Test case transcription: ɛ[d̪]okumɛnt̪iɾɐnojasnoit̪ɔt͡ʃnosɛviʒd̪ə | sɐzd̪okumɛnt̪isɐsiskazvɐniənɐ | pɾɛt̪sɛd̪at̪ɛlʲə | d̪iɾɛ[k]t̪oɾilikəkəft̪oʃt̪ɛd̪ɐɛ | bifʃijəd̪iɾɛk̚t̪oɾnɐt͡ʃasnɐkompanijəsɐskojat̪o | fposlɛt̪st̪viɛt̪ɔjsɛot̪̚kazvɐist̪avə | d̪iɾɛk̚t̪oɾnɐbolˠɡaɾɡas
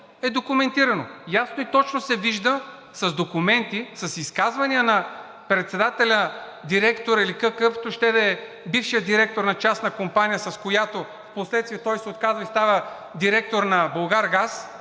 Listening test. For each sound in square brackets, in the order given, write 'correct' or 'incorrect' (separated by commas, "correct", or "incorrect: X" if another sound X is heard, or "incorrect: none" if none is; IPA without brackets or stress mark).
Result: correct, correct